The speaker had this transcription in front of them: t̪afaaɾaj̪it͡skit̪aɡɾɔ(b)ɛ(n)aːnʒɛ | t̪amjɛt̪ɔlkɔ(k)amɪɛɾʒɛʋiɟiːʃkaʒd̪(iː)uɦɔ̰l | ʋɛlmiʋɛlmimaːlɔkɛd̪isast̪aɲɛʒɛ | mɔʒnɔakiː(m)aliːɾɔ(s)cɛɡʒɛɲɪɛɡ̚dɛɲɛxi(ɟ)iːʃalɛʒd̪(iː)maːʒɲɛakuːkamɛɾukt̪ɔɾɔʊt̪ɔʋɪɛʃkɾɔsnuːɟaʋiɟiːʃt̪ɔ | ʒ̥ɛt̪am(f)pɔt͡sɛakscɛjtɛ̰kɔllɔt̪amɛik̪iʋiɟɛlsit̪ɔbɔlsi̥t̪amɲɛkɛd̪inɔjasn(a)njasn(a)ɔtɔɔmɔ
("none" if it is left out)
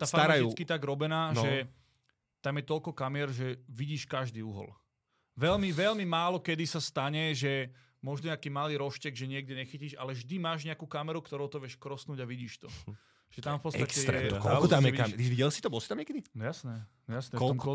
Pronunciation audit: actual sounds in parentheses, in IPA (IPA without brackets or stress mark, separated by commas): b, n, k, iː, m, ʃ, c, i, f, ɛ, ɛ